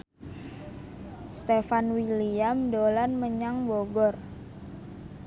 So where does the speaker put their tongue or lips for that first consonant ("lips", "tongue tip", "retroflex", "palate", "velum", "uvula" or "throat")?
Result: tongue tip